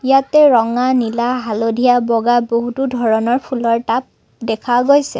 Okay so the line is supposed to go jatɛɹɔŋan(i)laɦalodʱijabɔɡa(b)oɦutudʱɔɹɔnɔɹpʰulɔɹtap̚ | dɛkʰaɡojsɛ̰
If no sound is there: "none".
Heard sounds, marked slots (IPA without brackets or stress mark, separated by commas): i, b